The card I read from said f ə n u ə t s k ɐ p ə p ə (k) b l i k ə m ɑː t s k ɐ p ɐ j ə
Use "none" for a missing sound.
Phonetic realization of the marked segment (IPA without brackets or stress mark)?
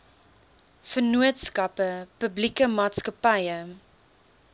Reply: none